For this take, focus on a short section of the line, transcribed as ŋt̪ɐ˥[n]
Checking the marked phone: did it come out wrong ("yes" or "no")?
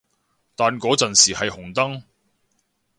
yes